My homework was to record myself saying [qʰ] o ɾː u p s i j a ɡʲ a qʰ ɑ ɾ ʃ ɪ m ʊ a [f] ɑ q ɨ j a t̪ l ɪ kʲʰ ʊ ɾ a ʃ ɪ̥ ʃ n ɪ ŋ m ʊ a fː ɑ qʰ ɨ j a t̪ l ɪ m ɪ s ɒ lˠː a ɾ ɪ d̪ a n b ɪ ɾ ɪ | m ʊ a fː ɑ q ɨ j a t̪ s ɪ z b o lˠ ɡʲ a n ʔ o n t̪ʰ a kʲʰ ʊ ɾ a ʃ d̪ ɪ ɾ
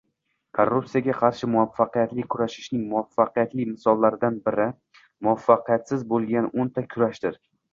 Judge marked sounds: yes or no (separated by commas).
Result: no, no